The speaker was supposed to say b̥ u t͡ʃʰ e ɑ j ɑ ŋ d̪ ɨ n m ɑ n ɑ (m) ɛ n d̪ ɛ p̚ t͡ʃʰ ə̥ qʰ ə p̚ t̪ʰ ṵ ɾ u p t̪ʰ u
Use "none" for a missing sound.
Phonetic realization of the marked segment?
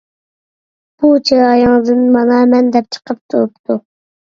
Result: m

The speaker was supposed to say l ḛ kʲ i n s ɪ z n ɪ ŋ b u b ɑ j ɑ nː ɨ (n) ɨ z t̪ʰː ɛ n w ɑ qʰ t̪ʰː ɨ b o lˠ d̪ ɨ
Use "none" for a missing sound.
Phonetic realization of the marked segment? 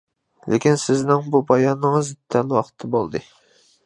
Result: ŋ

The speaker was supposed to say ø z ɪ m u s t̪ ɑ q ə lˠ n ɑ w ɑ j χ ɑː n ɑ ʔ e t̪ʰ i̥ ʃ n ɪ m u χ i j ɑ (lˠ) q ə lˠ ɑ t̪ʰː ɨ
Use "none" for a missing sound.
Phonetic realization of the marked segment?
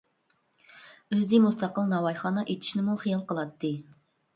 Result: lˠ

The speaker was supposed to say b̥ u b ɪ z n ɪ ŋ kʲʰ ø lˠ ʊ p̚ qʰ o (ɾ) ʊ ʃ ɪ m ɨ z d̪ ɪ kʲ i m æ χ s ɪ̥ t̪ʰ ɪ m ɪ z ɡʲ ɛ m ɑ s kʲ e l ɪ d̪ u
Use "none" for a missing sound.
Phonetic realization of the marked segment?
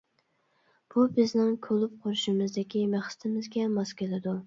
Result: ɾ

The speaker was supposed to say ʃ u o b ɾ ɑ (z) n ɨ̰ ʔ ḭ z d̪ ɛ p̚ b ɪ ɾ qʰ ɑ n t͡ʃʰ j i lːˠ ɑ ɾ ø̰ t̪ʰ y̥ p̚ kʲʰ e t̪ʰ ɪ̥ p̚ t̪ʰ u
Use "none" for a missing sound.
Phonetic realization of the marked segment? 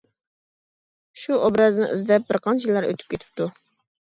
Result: z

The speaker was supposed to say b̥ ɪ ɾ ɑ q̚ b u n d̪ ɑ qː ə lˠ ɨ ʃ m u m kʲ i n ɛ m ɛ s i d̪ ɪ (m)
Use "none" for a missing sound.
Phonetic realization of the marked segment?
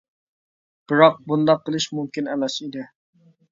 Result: none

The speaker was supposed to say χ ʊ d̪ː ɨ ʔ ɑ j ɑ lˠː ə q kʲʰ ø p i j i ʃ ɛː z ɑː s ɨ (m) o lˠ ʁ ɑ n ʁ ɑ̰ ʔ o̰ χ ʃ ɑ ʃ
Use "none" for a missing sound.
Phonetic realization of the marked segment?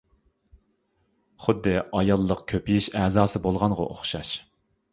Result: b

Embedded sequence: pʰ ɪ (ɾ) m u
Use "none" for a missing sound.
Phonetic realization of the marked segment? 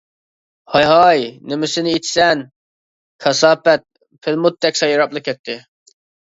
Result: l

